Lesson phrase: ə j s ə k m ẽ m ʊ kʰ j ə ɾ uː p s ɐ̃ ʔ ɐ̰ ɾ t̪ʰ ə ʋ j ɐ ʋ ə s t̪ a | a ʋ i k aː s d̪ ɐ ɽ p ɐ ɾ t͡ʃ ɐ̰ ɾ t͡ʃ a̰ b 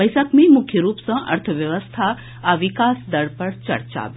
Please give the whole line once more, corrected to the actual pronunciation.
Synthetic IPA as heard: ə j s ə k m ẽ m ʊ kʰ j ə ɾ uː p s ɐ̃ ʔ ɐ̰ ɾ t̪ʰ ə ʋ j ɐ ʋ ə s t̪ʰ a | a ʋ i k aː s d̪ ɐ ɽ p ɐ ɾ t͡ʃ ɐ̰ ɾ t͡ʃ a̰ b

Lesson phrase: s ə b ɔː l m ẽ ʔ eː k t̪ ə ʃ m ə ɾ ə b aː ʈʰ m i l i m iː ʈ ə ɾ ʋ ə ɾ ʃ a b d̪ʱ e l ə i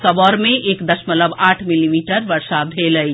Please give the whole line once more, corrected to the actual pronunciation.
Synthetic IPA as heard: s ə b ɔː ɾ m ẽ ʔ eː k d̪ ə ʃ m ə l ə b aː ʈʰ m i l i m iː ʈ ə ɾ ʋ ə ɾ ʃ a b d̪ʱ e l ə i

